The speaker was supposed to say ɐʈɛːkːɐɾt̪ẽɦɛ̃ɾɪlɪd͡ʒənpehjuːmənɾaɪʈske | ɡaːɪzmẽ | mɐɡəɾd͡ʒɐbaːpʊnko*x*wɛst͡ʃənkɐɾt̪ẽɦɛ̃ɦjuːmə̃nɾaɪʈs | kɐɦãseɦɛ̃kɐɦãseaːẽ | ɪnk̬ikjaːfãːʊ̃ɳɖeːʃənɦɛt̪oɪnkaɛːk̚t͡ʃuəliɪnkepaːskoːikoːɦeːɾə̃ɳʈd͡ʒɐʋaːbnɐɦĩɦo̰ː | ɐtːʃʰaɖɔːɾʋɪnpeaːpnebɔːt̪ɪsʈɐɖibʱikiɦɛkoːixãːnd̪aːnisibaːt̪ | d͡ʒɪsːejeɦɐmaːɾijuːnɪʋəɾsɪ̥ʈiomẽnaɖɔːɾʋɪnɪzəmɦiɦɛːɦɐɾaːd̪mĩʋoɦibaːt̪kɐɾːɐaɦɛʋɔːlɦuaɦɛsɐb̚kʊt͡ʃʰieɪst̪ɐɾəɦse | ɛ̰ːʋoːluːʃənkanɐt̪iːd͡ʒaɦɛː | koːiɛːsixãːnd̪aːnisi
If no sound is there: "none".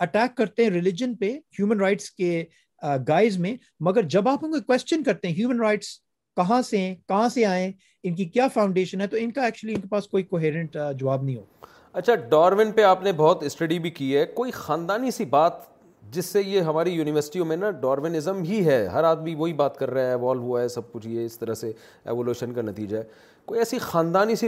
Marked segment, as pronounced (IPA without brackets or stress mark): k